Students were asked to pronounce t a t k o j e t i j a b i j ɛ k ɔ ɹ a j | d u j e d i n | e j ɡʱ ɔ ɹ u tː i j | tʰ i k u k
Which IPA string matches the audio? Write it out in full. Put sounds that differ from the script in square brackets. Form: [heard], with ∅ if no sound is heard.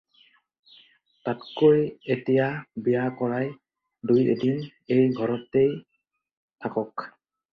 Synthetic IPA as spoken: t a t k o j e t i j a b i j [a] k ɔ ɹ a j | d u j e d i n | e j ɡʱ ɔ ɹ [ɔ] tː [e] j | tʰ [a] k [ɔ] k